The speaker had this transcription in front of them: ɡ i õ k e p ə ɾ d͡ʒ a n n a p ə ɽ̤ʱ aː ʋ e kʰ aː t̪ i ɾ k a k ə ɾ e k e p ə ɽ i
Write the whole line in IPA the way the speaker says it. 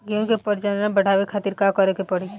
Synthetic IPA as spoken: ɡ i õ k e p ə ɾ d͡ʒ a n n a b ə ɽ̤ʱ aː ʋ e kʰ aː t̪ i ɾ k a k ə ɾ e k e p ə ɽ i